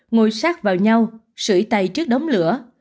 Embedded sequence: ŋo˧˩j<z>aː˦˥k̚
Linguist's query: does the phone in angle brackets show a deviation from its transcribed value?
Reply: yes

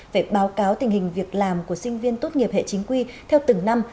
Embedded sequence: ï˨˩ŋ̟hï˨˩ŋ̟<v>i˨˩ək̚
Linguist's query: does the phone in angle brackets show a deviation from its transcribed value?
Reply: no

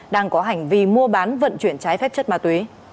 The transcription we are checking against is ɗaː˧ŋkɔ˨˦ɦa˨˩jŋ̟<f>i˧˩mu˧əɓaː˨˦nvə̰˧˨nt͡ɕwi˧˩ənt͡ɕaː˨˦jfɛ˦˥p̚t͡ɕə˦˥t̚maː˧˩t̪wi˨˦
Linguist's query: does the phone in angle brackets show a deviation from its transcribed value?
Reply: yes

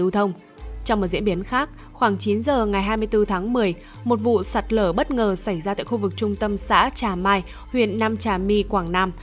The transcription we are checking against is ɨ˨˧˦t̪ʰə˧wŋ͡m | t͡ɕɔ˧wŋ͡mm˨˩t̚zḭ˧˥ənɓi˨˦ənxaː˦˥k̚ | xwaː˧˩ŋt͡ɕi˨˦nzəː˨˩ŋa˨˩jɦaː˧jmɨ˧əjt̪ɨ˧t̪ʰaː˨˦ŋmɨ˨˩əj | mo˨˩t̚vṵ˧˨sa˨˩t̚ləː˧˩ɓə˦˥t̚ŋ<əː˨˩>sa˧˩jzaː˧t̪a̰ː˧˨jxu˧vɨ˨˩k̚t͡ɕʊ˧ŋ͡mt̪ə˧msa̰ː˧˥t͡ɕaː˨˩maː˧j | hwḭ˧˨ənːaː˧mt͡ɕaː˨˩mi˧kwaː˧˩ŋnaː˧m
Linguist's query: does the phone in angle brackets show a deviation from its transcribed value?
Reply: no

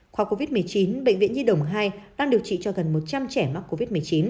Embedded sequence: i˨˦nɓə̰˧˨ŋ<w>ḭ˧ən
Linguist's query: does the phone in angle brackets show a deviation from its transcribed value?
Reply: yes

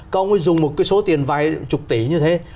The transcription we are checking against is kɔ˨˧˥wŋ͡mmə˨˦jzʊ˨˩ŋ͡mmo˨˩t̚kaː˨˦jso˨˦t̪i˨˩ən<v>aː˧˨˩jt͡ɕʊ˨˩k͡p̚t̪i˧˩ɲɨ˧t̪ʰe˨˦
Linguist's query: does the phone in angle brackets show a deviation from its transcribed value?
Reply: no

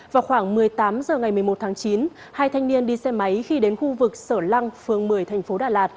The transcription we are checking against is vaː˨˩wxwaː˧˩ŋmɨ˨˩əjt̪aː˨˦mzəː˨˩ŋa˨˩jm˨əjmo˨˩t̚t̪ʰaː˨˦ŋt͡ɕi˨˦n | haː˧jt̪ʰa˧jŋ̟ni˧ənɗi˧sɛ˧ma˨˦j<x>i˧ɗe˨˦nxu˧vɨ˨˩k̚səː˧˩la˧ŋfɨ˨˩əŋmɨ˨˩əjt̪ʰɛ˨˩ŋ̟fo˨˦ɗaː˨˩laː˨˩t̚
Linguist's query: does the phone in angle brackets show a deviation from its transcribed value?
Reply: no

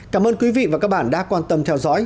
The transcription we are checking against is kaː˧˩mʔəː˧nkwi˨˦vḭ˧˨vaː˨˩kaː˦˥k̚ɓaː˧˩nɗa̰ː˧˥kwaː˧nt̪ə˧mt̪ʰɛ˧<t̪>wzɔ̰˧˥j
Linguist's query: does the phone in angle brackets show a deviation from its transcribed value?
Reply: yes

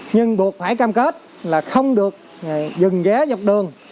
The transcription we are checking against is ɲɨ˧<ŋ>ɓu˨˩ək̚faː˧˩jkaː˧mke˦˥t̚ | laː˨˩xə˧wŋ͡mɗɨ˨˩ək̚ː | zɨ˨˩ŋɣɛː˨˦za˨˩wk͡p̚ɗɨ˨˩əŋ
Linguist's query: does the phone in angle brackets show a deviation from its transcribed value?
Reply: no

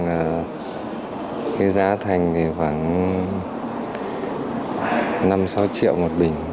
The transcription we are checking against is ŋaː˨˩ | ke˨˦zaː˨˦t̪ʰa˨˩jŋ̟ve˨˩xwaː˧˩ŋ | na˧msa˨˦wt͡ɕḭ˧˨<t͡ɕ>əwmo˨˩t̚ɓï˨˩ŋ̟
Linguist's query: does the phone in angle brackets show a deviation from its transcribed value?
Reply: yes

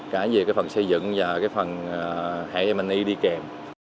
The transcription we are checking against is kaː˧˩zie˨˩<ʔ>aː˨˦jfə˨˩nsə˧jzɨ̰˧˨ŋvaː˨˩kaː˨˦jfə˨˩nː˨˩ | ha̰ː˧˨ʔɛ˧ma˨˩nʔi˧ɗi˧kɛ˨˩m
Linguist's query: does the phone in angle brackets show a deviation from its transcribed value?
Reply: yes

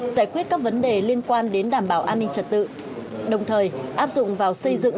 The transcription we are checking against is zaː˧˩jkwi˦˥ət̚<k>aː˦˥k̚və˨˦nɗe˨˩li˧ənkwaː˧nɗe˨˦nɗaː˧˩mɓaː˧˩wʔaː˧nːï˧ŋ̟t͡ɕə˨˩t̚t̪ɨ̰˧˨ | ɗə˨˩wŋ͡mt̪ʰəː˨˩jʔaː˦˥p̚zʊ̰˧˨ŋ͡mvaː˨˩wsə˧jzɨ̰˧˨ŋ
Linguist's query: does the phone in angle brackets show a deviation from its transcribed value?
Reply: no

